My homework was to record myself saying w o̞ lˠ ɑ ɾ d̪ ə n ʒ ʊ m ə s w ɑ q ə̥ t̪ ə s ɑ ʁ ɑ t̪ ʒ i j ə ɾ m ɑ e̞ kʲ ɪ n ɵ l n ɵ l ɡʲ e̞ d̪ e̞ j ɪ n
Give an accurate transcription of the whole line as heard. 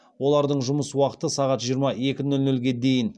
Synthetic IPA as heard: w o̞ lˠ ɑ ɾ d̪ ə ɴ ʒ ʊ m ə s w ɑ q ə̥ t̪ ə s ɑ ʁ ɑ t̪ ʒ i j ə ɾ m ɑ e̞ kʲ ɪ n ɵ l n ɵ l ɡʲ e̞ d̪ e̞ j ɪ n